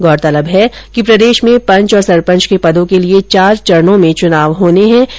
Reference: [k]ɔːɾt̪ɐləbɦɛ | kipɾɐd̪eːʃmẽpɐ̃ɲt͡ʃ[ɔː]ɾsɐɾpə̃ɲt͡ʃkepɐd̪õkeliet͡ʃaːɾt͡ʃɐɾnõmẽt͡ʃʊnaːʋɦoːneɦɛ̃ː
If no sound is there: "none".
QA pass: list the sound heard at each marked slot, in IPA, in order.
ɡ, ɔː

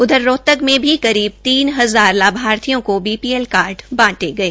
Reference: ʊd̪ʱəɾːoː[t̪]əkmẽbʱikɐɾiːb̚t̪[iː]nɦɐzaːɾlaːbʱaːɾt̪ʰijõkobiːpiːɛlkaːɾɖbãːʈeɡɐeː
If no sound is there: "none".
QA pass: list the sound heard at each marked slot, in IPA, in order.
t̪, iː

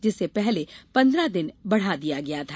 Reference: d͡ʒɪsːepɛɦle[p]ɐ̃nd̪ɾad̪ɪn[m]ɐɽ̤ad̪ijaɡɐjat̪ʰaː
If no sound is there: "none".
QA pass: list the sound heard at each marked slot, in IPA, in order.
p, b

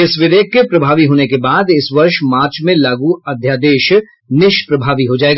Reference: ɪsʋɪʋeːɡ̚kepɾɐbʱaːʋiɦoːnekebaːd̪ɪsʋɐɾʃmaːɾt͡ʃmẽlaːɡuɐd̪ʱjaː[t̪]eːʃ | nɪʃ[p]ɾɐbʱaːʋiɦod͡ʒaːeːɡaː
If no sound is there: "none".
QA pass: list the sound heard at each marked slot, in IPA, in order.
d̪, p

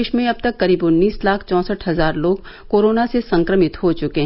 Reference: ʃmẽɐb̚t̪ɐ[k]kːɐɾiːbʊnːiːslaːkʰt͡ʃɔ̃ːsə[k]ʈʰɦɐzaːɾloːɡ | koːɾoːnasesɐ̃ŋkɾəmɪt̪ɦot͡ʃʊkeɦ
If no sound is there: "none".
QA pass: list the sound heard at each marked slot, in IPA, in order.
k, none

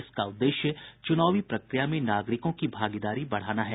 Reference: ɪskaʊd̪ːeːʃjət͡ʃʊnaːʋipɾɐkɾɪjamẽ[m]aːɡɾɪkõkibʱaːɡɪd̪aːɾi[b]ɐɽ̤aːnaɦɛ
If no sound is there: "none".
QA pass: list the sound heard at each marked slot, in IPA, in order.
n, b

